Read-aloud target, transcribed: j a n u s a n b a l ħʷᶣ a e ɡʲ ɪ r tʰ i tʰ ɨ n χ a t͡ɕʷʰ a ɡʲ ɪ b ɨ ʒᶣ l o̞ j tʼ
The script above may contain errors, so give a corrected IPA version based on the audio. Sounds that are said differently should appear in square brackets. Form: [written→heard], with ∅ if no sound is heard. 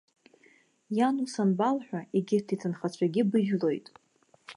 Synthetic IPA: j a n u s a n b a l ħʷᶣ a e ɡʲ ɪ r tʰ i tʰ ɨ n χ a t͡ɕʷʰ a ɡʲ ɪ b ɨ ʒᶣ l o̞ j tʼ